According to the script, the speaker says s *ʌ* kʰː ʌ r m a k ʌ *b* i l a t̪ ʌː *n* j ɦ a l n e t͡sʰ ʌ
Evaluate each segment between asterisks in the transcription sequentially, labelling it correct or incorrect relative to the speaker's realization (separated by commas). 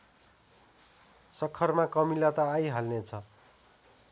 correct, incorrect, incorrect